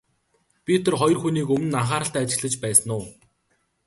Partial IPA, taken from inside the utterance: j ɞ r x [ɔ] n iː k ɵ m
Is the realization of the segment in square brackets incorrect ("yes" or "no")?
yes